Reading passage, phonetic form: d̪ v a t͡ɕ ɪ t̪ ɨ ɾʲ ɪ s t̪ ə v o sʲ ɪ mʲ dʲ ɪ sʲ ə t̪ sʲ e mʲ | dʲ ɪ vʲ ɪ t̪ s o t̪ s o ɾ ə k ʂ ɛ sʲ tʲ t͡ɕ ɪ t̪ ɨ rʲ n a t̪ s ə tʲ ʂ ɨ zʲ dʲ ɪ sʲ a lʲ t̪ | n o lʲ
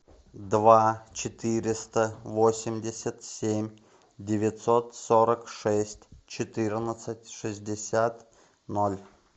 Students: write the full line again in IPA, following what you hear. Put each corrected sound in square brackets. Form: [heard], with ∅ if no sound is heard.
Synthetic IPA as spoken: d̪ v a t͡ɕ ɪ t̪ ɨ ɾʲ ɪ s t̪ ə v o sʲ ɪ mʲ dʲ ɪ sʲ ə t̪ sʲ e mʲ | dʲ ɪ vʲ ɪ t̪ s o t̪ s o ɾ ə k ʂ ɛ sʲ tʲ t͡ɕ ɪ t̪ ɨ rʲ n [ə] t̪ s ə tʲ ʂ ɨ zʲ dʲ ɪ sʲ a [∅] t̪ | n o lʲ

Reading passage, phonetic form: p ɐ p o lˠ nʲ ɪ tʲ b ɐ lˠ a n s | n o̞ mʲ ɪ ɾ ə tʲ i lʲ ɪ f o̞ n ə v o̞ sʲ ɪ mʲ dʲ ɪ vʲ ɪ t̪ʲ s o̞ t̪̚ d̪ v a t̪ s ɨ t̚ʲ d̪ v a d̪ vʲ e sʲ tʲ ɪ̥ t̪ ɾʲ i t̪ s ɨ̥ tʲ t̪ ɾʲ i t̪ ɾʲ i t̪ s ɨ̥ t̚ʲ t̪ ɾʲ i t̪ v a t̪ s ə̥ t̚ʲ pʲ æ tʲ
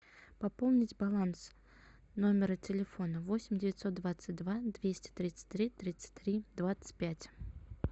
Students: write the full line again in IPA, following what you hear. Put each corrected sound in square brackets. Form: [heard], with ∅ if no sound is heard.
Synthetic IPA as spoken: p ɐ p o lˠ nʲ ɪ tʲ b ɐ lˠ a n s | n o̞ mʲ ɪ ɾ ə tʲ [ɪ] lʲ ɪ f o̞ n ə v o̞ sʲ ɪ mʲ dʲ ɪ vʲ ɪ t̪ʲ s o̞ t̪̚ d̪ v a t̪ s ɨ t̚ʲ d̪ v a d̪ vʲ e sʲ tʲ ɪ̥ t̪ ɾʲ i t̪ s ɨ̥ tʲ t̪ ɾʲ i t̪ ɾʲ i t̪ s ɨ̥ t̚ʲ t̪ ɾʲ i [d̪] v a t̪ s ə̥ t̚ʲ pʲ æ tʲ

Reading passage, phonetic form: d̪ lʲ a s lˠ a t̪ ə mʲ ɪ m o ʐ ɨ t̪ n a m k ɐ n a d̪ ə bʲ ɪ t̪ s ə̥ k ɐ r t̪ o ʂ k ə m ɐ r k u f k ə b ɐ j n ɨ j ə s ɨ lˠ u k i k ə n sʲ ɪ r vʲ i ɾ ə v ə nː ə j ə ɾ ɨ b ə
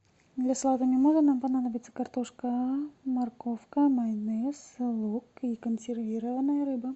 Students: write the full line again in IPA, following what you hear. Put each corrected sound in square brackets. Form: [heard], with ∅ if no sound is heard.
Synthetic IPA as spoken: d̪ lʲ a s lˠ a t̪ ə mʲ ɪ m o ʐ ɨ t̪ n a m [p] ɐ n a d̪ ə bʲ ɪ t̪ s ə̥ k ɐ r t̪ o ʂ k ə m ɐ r k [o] f k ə [m] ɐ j n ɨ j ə s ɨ lˠ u k i k ə n sʲ ɪ r vʲ i ɾ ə v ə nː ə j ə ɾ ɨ b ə

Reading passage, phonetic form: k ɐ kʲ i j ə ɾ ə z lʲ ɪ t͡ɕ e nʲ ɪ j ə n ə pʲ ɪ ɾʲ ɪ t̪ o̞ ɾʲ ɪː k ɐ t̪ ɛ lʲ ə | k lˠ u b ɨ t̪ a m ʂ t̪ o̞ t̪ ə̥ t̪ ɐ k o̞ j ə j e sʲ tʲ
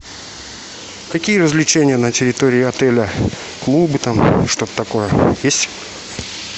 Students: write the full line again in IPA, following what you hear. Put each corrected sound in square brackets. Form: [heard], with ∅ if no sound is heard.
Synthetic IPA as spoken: k ɐ kʲ i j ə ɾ ə z lʲ ɪ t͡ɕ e nʲ ɪ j ə n ə [tʲ] ɪ ɾʲ ɪ t̪ o̞ ɾʲ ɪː [∅] ɐ t̪ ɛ lʲ ə | k lˠ u b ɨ t̪ a m ʂ t̪ o̞ t̪ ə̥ t̪ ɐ k o̞ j ə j e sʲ tʲ

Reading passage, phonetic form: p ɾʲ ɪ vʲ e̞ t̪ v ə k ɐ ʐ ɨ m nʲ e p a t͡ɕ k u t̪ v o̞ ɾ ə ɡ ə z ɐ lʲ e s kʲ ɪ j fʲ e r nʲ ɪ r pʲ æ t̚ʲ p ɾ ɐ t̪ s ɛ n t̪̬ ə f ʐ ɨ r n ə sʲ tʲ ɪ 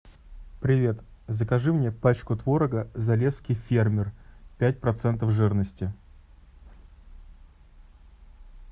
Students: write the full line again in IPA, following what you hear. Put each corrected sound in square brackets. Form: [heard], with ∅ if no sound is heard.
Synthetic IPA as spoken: p ɾʲ ɪ vʲ e̞ t̪ [z] ə k ɐ ʐ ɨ m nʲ e p a t͡ɕ k [ʊ] t̪ v o̞ ɾ ə ɡ ə z ɐ lʲ e s kʲ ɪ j fʲ e r [mʲ] ɪ r pʲ æ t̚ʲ p ɾ ɐ t̪ s ɛ n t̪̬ ə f ʐ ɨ r n ə sʲ tʲ ɪ

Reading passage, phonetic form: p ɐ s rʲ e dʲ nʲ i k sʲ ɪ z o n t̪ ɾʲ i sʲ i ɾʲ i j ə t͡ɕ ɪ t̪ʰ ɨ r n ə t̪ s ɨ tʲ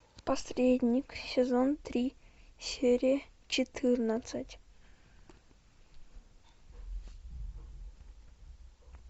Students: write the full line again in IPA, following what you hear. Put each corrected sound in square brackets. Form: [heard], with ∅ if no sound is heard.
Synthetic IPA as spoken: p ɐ s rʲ e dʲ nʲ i k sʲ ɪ z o n t̪ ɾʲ i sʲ [e] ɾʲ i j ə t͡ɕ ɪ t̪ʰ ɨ r n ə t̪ s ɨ tʲ

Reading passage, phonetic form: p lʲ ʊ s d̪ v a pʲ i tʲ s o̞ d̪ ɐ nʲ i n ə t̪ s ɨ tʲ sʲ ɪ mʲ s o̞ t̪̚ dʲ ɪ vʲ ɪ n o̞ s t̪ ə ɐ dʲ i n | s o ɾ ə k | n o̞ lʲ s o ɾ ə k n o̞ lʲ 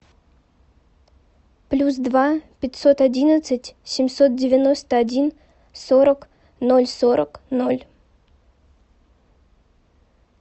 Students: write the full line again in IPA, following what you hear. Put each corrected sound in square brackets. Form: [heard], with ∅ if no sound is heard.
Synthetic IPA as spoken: p lʲ [u] s d̪ v a pʲ [ɪ] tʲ s o̞ [t̪] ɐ [dʲ] i n ə t̪ s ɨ tʲ sʲ ɪ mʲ s o̞ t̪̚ dʲ ɪ vʲ ɪ n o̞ s t̪ ə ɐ dʲ i n | s o ɾ ə k | n o̞ lʲ s o ɾ ə k n o̞ lʲ

